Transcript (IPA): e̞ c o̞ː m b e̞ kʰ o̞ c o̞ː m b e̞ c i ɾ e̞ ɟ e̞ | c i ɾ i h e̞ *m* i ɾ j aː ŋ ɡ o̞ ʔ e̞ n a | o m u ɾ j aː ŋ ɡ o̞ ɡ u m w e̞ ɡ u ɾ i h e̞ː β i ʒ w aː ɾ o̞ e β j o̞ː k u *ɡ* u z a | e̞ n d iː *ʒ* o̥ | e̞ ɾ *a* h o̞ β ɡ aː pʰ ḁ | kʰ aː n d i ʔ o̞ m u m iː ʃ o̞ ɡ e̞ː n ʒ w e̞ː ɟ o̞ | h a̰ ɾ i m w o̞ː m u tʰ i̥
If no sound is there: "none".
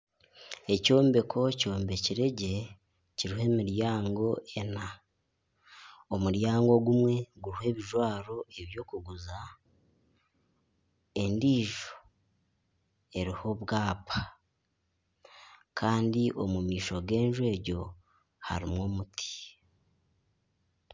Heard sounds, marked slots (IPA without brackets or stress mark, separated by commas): m, ɡ, ʒ, i